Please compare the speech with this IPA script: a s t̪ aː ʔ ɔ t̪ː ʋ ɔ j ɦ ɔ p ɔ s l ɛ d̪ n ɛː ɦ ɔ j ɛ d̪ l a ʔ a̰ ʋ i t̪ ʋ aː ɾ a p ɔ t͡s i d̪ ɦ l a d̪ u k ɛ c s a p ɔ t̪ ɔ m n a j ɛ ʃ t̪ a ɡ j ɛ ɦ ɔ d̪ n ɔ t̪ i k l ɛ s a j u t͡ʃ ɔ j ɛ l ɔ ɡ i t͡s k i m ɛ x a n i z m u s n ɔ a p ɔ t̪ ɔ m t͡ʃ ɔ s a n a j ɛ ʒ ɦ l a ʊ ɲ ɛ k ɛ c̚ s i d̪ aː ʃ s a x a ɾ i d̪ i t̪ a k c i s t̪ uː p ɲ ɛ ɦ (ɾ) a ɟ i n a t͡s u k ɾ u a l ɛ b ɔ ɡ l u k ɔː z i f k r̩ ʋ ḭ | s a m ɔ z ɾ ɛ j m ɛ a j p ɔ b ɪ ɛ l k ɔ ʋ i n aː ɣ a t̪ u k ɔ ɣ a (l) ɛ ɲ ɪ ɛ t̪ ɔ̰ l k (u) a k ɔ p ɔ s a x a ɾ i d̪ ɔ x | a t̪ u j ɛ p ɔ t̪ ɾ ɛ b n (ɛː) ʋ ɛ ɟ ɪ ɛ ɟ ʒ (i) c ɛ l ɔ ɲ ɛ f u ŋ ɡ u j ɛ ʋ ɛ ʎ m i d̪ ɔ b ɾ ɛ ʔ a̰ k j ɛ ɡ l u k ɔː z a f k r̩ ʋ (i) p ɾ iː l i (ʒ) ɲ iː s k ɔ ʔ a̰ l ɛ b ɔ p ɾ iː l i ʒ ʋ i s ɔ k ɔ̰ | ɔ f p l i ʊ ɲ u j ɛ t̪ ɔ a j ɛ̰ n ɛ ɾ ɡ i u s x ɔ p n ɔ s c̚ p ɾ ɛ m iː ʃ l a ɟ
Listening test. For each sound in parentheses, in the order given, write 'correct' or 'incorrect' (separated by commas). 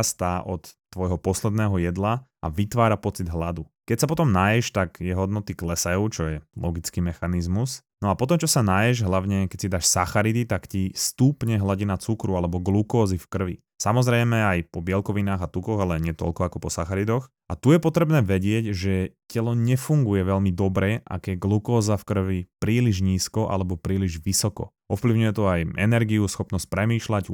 incorrect, correct, incorrect, correct, incorrect, correct, correct